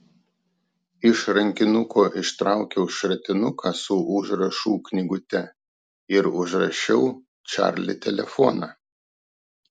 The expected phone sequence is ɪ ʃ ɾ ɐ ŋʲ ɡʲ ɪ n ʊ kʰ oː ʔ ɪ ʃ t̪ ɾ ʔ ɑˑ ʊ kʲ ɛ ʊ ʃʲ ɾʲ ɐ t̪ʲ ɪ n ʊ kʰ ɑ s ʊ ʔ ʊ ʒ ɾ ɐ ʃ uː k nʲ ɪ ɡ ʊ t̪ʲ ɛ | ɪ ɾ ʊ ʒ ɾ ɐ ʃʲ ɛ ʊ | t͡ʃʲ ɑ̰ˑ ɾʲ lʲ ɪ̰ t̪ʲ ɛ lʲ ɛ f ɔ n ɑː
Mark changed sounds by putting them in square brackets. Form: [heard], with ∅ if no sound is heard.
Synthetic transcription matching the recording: ɪ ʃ ɾ ɐ ŋʲ [kʲ] ɪ n ʊ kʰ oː ʔ ɪ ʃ t̪ ɾ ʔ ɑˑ ʊ kʲ ɛ ʊ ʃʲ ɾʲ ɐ t̪ʲ ɪ n ʊ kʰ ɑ s ʊ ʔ ʊ ʒ ɾ ɐ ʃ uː k nʲ ɪ ɡ ʊ t̪ʲ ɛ | ɪ ɾ ʊ ʒ ɾ ɐ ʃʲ ɛ ʊ | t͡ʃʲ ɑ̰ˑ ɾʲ lʲ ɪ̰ t̪ʲ ɛ lʲ ɛ f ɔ n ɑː